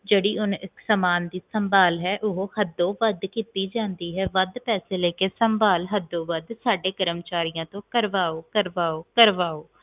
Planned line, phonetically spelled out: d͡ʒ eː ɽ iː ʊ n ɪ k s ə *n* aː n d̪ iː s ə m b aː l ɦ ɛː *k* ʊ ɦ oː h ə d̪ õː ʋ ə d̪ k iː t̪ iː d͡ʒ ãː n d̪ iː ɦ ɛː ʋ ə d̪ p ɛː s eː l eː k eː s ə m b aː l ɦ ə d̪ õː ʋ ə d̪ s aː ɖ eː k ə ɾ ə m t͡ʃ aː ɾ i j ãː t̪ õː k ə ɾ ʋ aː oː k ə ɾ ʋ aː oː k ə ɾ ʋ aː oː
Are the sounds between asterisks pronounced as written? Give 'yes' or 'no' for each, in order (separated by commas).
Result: no, no